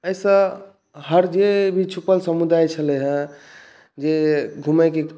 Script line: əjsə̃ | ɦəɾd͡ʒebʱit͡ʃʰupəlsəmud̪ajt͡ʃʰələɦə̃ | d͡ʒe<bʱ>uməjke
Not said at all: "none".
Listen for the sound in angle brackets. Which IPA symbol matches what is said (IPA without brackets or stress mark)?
ɡʱ